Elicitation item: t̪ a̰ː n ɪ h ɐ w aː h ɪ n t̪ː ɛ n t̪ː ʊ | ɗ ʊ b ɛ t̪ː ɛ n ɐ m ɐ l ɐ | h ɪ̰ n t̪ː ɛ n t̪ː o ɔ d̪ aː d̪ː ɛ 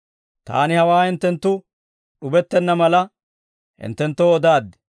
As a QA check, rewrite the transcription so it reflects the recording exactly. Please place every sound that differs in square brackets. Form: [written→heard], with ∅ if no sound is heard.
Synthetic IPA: t̪ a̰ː n ɪ h ɐ w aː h ɪ n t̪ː ɛ n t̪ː ʊ | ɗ ʊ b ɛ t̪ː ɛ [n→nː] ɐ m ɐ l ɐ | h ɪ̰ n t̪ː ɛ n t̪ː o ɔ d̪ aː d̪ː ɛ

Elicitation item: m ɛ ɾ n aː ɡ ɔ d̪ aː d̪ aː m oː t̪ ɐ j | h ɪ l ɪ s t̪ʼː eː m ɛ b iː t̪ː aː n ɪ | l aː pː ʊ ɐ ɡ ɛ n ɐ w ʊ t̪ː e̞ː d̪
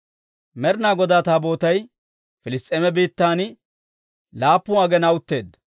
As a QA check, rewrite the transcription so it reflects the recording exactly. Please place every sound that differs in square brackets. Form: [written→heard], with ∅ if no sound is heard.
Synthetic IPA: m ɛ ɾ n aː ɡ ɔ d̪ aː [d̪→t̪] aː [m→b] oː t̪ ɐ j | [h→f] ɪ l ɪ s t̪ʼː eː m ɛ b iː t̪ː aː n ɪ | l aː pː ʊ ɐ ɡ ɛ n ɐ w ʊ t̪ː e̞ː d̪

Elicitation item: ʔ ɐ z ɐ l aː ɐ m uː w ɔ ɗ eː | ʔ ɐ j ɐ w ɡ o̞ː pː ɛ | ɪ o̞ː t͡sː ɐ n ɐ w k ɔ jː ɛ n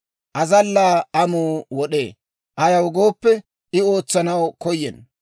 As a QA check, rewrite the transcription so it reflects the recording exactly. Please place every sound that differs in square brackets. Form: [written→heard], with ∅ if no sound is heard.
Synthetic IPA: ʔ ɐ z ɐ [l→lː] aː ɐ m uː w ɔ ɗ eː | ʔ ɐ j ɐ w ɡ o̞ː pː ɛ | ɪ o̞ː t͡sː ɐ n ɐ w k ɔ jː ɛ n

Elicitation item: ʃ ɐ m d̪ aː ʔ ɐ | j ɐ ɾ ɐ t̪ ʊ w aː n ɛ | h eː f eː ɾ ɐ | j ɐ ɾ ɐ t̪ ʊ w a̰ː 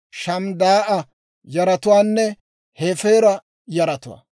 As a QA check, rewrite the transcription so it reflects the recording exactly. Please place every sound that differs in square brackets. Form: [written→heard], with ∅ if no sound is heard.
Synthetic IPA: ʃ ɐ m d̪ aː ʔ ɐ | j ɐ ɾ ɐ t̪ ʊ w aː [n→nː] ɛ | h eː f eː ɾ ɐ | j ɐ ɾ ɐ t̪ ʊ w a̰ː

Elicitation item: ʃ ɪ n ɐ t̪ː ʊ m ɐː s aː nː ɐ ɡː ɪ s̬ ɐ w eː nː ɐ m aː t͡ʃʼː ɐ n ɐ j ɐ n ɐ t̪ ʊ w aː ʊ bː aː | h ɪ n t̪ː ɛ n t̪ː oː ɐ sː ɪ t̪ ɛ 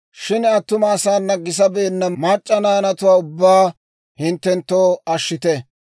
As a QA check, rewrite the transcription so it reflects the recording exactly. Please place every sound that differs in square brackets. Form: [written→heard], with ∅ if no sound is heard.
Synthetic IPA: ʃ ɪ n ɐ t̪ː ʊ m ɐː s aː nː ɐ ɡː ɪ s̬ ɐ [w→b] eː nː ɐ m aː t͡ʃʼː ɐ n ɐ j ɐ n ɐ t̪ ʊ w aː ʊ bː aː | h ɪ n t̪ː ɛ n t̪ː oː ɐ [sː→ʃː] ɪ t̪ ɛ

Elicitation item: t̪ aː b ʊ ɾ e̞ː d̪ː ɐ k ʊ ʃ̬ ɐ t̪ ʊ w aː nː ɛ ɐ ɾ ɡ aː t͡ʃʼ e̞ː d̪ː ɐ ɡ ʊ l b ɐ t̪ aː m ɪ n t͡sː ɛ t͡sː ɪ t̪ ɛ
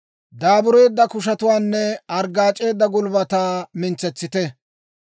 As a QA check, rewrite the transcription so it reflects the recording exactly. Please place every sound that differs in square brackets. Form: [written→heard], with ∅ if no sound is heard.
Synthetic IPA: [t̪→d̪] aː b ʊ ɾ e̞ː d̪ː ɐ k ʊ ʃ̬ ɐ t̪ ʊ w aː nː ɛ ɐ ɾ ɡ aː t͡ʃʼ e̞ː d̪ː ɐ ɡ ʊ l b ɐ t̪ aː m ɪ n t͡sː ɛ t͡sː ɪ t̪ ɛ

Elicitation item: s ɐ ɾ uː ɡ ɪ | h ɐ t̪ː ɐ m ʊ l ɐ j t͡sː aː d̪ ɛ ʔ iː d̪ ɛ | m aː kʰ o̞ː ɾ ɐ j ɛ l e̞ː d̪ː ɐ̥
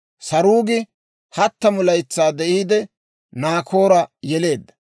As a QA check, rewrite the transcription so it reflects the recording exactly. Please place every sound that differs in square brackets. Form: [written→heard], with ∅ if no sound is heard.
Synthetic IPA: s ɐ ɾ uː ɡ ɪ | h ɐ t̪ː ɐ m ʊ l ɐ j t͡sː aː d̪ ɛ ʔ iː d̪ ɛ | [m→n] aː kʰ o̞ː ɾ ɐ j ɛ l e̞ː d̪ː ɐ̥

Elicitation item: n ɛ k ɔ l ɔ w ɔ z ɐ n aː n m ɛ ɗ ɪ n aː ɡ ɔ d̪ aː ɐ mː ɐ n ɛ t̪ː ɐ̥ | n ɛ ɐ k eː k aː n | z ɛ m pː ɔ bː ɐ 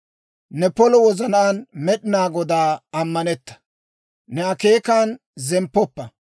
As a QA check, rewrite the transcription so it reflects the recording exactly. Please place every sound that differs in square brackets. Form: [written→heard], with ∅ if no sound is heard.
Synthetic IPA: n ɛ [k→p] ɔ l ɔ w ɔ z ɐ n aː n m ɛ ɗ ɪ n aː ɡ ɔ d̪ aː ɐ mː ɐ n ɛ t̪ː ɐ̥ | n ɛ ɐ k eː k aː n | z ɛ m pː ɔ [bː→pː] ɐ

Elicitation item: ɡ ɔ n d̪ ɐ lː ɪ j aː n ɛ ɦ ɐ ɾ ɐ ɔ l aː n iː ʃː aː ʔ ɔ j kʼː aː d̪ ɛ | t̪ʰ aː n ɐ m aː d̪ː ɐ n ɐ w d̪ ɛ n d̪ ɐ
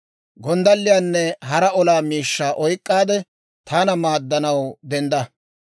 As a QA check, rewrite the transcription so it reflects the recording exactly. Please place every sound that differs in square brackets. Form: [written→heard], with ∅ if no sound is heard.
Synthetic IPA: ɡ ɔ n d̪ ɐ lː ɪ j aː [n→nː] ɛ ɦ ɐ ɾ ɐ ɔ l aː [n→m] iː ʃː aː ʔ ɔ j kʼː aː d̪ ɛ | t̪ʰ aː n ɐ m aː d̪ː ɐ n ɐ w d̪ ɛ n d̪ ɐ

